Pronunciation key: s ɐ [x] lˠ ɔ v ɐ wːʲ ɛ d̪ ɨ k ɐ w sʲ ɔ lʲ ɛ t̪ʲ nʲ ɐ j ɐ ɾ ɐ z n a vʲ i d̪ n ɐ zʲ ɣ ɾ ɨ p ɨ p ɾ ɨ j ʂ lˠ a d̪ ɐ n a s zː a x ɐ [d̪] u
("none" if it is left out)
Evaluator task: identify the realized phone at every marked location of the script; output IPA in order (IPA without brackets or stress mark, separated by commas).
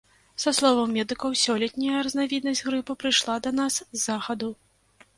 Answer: s, d̪